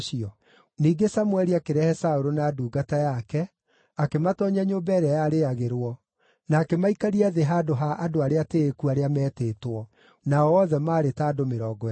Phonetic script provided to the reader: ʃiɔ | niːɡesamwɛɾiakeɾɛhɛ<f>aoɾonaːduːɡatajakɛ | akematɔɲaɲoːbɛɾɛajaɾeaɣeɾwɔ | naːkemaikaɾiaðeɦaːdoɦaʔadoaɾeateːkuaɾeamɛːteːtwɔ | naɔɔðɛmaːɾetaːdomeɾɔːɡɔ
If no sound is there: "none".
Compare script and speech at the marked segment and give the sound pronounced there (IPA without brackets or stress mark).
s